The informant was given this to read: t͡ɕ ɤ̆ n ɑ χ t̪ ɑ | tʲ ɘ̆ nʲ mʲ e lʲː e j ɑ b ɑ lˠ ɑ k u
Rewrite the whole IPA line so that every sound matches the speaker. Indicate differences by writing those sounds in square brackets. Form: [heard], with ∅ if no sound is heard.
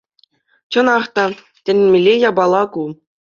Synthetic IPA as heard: t͡ɕ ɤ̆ n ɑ χ t̪ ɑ | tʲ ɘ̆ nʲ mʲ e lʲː e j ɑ b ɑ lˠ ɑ k u

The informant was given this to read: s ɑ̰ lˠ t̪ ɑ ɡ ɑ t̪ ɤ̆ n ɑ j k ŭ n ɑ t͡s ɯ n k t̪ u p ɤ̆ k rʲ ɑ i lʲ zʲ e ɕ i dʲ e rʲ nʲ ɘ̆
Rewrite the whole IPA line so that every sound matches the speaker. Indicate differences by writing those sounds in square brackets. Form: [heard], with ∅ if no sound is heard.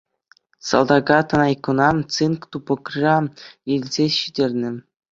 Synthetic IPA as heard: s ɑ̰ lˠ [d̪] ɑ ɡ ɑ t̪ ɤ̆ n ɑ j k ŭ n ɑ t͡s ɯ n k t̪ u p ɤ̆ k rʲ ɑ i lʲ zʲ e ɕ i dʲ e rʲ nʲ ɘ̆

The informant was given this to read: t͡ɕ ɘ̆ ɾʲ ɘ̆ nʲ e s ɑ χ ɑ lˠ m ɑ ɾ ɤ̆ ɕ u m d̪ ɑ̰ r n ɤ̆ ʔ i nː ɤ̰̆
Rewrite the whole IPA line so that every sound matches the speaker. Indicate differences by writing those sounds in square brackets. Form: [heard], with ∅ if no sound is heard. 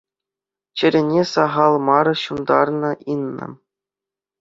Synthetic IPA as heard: t͡ɕ ɘ̆ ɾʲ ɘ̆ nʲ e s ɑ [ʁ] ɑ lˠ m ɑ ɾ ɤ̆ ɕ u [n] d̪ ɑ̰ r n ɤ̆ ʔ i nː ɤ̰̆

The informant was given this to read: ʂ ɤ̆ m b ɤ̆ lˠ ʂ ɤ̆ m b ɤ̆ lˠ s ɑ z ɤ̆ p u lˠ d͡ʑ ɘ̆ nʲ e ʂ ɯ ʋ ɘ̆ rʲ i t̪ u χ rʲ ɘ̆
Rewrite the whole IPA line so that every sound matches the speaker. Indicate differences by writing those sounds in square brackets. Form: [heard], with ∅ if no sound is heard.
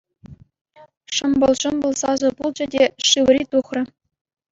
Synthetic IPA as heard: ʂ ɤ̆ m b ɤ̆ lˠ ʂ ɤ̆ m b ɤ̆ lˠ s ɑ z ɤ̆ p u lˠ d͡ʑ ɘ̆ [dʲ] e ʂ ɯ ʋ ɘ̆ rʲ i t̪ u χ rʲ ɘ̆

